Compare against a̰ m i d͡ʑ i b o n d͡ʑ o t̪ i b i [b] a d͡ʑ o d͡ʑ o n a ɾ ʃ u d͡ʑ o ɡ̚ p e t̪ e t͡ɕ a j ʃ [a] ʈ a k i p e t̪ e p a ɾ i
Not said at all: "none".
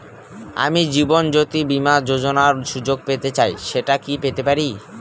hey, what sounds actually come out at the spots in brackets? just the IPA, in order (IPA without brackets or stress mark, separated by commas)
m, e